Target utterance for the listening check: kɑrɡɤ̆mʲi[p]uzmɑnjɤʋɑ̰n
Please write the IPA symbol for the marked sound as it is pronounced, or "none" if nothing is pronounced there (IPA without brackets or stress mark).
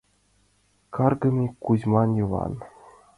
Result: k